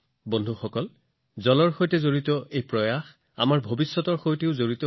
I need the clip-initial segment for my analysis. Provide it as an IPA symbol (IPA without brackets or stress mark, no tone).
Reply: b